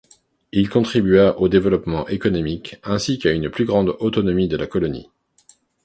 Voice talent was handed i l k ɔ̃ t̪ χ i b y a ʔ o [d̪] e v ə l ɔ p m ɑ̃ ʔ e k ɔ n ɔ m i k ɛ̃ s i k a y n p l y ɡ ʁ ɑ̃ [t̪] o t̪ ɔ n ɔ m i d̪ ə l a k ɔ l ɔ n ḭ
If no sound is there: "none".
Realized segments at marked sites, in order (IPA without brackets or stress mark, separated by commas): d̪, d̪